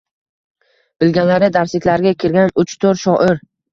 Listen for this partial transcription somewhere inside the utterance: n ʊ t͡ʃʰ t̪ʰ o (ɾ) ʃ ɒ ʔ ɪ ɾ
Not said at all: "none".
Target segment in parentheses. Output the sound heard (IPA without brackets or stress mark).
ɾ